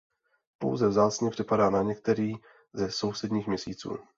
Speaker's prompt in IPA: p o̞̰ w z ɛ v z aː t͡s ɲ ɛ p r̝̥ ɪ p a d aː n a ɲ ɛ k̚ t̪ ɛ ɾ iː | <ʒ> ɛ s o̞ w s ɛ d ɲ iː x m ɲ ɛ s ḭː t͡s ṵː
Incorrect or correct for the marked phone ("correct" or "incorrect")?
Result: incorrect